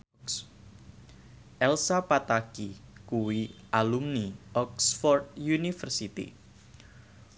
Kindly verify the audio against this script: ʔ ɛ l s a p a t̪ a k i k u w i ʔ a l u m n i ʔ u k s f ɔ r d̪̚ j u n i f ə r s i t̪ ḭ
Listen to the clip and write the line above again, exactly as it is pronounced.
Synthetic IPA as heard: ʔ ɛ l s a p a t̪ a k i k u w i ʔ a l u m n i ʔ ɔ k s f ɔ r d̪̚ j u n i f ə r s i t̪ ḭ